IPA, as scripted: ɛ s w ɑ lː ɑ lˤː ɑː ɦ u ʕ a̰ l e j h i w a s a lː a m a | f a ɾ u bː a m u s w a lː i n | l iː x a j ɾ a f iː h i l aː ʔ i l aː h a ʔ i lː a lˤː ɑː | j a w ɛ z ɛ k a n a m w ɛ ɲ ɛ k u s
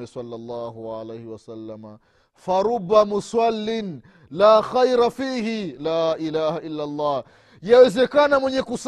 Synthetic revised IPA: ɛ s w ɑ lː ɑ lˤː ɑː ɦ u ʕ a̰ l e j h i w a s a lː a m a | f a ɾ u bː a m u s w a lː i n | l aː x a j ɾ a f iː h i l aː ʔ i l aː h a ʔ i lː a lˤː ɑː | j a w ɛ z ɛ k a n a m w ɛ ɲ ɛ k u s